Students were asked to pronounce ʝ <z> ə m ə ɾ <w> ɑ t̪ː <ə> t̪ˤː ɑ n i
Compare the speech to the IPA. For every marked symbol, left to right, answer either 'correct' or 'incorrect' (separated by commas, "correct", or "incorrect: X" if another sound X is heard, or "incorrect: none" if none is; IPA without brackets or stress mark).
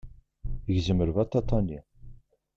correct, incorrect: v, incorrect: ɑ